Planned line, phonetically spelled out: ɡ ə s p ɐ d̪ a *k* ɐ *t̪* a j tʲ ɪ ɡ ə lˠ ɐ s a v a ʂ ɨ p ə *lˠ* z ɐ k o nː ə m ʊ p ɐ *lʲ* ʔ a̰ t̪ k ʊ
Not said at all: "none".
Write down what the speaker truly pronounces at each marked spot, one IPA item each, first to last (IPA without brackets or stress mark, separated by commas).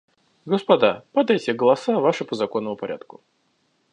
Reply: p, d̪, none, ɾʲ